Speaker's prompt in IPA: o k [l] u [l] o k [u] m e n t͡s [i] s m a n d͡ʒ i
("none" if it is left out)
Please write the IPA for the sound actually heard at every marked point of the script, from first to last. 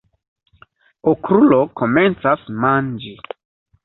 ɾ, l, o, a

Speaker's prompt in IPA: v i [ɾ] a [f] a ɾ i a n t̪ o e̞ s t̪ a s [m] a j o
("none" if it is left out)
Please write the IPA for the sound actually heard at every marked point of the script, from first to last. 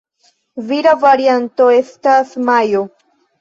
ɾ, v, m

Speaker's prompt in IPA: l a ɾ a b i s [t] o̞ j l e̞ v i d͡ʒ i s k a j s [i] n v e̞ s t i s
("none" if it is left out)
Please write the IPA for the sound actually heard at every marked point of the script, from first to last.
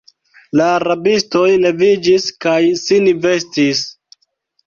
t, i

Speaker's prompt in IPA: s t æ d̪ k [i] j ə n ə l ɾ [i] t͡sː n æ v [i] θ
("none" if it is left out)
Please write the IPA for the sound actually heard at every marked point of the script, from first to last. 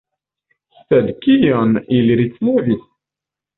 i, i, i

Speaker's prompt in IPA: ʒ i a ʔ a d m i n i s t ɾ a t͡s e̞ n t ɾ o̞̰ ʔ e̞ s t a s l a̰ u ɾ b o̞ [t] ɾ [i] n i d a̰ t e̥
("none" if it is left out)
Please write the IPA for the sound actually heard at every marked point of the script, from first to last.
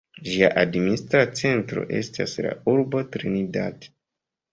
t, i

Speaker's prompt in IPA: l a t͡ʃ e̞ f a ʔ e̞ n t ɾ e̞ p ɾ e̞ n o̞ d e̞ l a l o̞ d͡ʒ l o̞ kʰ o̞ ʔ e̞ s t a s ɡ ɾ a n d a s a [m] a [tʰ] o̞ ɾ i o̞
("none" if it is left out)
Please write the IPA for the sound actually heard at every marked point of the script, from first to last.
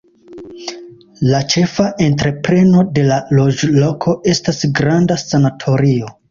n, tʰ

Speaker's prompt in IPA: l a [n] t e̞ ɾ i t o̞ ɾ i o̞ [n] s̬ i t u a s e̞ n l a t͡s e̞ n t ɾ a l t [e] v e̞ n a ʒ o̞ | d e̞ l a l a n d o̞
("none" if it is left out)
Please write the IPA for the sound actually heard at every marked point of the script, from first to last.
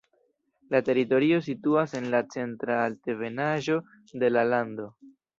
none, none, e

